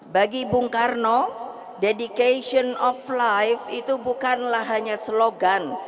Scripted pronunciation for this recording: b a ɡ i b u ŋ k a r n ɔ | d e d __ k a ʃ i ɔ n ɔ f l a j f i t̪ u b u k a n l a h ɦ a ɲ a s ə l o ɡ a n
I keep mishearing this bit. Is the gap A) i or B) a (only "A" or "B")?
A